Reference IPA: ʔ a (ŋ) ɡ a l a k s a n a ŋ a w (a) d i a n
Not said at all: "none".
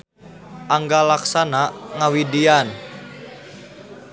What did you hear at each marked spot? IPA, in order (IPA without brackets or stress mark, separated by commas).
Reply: ŋ, i